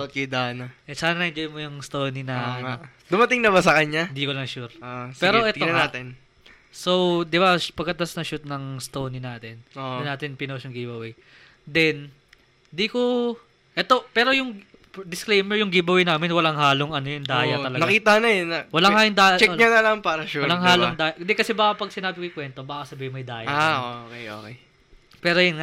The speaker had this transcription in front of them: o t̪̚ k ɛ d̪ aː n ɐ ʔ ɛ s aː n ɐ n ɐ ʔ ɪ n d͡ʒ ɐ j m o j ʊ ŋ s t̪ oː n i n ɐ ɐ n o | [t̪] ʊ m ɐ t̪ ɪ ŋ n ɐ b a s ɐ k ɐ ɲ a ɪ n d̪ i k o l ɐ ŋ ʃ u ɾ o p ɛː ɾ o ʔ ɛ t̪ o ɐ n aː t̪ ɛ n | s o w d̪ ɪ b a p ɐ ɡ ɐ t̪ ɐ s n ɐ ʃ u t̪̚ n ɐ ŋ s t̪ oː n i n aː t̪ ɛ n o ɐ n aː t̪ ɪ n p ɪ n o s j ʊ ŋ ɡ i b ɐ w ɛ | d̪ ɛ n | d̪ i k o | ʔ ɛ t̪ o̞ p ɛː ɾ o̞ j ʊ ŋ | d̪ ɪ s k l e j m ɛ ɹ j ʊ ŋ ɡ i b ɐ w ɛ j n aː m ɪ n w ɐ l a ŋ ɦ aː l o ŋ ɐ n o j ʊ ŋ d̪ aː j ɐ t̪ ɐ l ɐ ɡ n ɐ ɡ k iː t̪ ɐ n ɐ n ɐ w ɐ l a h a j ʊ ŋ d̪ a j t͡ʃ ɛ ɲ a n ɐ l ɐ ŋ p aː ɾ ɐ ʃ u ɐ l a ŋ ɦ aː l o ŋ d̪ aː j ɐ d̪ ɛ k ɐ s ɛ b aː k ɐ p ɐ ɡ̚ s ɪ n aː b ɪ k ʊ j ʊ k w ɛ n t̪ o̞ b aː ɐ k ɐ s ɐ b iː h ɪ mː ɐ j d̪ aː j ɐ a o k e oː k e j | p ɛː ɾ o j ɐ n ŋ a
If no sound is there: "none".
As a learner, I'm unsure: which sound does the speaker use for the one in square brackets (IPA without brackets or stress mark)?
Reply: d̪